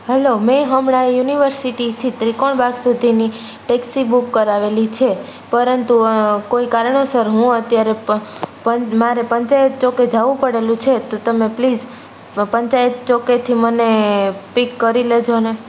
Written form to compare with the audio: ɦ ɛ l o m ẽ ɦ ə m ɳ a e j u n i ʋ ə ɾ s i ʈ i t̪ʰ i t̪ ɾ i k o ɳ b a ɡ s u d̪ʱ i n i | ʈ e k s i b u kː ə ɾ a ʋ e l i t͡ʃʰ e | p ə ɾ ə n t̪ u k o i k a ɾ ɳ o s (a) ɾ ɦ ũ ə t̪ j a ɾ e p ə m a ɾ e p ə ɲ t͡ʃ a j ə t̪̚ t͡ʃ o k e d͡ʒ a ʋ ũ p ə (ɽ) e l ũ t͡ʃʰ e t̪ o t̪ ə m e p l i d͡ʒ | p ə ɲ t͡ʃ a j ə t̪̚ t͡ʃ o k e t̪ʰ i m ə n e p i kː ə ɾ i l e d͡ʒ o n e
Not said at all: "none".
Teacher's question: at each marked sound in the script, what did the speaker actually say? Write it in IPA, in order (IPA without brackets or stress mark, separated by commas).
ə, ɽ